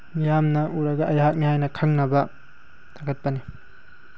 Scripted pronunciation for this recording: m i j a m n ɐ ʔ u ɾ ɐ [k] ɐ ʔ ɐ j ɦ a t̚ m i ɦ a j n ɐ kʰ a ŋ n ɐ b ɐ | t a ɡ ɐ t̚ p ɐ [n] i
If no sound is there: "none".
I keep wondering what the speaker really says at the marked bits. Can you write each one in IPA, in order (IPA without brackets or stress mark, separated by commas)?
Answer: ɡ, n